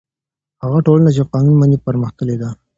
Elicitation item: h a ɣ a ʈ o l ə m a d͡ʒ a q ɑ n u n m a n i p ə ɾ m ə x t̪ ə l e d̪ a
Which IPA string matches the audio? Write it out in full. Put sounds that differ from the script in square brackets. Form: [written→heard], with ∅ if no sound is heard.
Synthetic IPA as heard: h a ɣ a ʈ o l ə [m→n] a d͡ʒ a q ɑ n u n m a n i p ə ɾ m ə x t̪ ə l e d̪ a